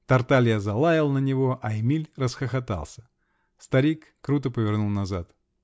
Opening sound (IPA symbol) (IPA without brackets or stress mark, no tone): t̪